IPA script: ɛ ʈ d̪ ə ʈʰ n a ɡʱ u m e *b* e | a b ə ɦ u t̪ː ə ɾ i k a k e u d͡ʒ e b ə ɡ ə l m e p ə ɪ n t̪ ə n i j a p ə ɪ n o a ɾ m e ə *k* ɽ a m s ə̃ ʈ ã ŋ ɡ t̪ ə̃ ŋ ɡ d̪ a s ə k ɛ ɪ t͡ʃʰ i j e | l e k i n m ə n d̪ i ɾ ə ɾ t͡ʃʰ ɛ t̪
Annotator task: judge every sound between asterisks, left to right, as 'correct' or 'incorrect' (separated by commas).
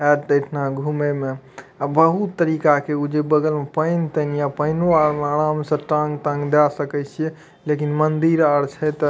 incorrect, incorrect